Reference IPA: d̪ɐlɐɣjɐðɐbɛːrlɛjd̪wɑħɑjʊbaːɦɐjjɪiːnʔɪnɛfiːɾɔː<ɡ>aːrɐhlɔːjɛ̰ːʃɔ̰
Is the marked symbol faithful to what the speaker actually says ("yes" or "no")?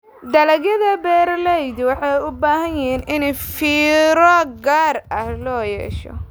yes